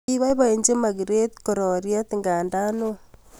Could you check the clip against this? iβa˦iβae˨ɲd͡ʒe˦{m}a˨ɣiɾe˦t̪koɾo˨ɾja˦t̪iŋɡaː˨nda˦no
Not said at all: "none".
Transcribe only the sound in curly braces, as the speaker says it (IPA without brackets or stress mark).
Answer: m